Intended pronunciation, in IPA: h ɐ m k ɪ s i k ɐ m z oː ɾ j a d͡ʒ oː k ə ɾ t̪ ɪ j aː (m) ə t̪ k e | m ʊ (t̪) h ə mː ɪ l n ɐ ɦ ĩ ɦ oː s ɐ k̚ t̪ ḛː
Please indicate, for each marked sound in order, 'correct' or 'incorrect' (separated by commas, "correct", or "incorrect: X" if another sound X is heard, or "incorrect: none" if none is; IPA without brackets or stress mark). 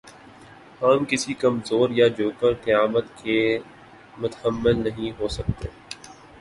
correct, correct